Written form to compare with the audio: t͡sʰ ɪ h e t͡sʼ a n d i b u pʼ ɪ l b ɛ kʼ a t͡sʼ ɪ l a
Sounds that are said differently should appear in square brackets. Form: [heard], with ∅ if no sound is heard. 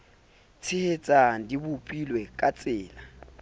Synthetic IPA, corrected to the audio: t͡sʰ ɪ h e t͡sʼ a n d i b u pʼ [i] l [w] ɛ kʼ a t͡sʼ [ɪː] l a